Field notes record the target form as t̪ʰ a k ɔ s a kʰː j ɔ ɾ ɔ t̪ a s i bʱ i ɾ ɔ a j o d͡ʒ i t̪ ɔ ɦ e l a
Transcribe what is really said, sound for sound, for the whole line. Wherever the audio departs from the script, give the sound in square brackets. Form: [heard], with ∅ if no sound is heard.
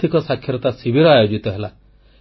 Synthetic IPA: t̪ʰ [i] k ɔ s a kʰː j ɔ ɾ ɔ t̪ a s i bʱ i ɾ ɔ a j o d͡ʒ i t̪ ɔ ɦ e l a